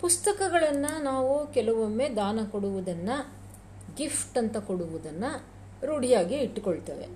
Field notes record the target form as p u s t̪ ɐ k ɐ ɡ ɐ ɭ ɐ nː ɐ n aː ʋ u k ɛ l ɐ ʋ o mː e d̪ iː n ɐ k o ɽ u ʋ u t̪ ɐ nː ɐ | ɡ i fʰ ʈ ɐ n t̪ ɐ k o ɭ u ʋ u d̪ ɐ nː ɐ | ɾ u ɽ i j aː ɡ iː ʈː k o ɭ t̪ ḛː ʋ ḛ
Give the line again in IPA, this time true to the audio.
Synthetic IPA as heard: p u s t̪ ɐ k ɐ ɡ ɐ ɭ ɐ nː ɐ n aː ʋ u k ɛ l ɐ ʋ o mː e d̪ aː n ɐ k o ɽ u ʋ u d̪ ɐ nː ɐ | ɡ i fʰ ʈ ɐ n t̪ ɐ k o ɽ u ʋ u d̪ ɐ nː ɐ | ɾ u ɽ i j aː ɡ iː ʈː k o ɭ t̪ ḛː ʋ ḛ